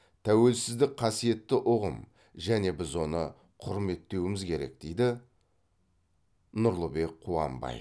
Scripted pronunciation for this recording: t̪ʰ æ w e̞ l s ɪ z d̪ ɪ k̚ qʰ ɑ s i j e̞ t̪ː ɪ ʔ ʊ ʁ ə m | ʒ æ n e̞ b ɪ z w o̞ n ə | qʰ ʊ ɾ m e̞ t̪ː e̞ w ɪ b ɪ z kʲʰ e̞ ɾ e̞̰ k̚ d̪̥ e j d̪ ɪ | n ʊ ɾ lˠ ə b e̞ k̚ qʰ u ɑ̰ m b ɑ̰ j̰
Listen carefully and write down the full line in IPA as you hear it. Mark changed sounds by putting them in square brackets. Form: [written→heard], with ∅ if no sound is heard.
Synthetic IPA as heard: t̪ʰ æ w e̞ l s ɪ z d̪ ɪ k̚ qʰ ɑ s i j e̞ t̪ː ɪ ʔ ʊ ʁ ə m | ʒ æ n e̞ b ɪ z w o̞ n ə | qʰ ʊ ɾ m e̞ t̪ː e̞ w ɪ [b→m] ɪ z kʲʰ e̞ ɾ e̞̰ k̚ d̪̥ e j d̪ ɪ | n ʊ ɾ lˠ ə b e̞ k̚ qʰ u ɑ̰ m b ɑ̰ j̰

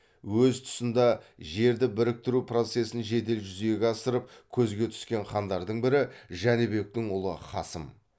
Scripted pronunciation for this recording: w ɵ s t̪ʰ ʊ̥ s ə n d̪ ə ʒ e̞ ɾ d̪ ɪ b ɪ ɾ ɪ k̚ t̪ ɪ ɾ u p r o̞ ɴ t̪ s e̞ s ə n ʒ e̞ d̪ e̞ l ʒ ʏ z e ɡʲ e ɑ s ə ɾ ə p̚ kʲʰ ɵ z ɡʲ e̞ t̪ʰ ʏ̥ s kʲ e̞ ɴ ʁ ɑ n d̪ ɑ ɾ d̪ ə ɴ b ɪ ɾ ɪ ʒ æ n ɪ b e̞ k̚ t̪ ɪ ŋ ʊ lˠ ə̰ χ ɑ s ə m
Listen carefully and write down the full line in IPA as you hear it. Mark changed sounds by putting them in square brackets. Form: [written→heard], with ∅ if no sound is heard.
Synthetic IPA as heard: w ɵ [s→z] t̪ʰ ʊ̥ s ə n d̪ [ə→ɑ] ʒ e̞ ɾ d̪ ɪ b ɪ ɾ ɪ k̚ t̪ ɪ ɾ u p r o̞ [ɴ→∅] t̪ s e̞ s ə n ʒ e̞ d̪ e̞ l ʒ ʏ z e ɡʲ e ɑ s ə ɾ ə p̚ kʲʰ ɵ z ɡʲ e̞ t̪ʰ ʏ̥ s kʲ e̞ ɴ [ʁ→χ] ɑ n d̪ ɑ ɾ d̪ ə ɴ b ɪ ɾ ɪ ʒ æ n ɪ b e̞ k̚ t̪ ɪ ŋ ʊ lˠ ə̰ χ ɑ s ə m

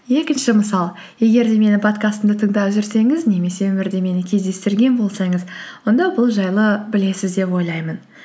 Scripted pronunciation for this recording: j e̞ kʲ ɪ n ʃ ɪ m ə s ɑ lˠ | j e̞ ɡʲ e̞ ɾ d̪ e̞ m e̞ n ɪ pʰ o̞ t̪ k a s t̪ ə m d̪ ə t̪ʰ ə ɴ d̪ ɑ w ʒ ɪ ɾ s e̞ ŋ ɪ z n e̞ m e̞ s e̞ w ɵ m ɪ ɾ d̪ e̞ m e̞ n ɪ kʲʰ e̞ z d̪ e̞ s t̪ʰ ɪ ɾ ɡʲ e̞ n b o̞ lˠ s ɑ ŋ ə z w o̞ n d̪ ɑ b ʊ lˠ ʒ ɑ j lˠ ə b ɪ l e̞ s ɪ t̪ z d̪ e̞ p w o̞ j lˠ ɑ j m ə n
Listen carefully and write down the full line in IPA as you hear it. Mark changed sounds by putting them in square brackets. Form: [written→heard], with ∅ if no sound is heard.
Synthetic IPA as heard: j e̞ kʲ ɪ n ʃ ɪ m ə s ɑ lˠ | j e̞ ɡʲ e̞ ɾ d̪ e̞ m e̞ n ɪ pʰ o̞ t̪ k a s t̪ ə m d̪ ə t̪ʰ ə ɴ d̪ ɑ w ʒ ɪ ɾ s e̞ ŋ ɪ z n e̞ m e̞ s e̞ w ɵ m ɪ ɾ d̪ e̞ m e̞ n ɪ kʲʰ e̞ z d̪ e̞ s [t̪ʰ→t̪] ɪ ɾ ɡʲ e̞ n b o̞ lˠ s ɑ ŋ ə z w o̞ n d̪ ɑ b ʊ lˠ ʒ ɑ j lˠ ə b ɪ l e̞ s ɪ [t̪→∅] z d̪ e̞ p w o̞ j lˠ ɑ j m ə n

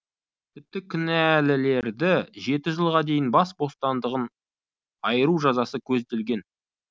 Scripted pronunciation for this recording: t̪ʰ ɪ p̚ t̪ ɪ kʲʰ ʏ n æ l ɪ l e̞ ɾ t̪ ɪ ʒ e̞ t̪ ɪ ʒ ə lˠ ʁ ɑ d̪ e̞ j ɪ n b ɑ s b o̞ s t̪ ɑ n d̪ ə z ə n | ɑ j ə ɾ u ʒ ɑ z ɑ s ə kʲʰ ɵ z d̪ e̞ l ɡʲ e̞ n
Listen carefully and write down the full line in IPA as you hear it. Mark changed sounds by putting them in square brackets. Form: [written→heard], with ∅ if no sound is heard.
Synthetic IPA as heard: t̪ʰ ɪ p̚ t̪ ɪ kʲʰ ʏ n æ l ɪ l e̞ ɾ [t̪→d̪] ɪ ʒ e̞ t̪ ɪ ʒ ə lˠ ʁ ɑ d̪ e̞ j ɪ n b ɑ s b o̞ s t̪ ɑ n d̪ ə [z→ʁ] ə n | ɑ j ə ɾ u ʒ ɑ z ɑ s ə kʲʰ ɵ z d̪ e̞ l ɡʲ e̞ n

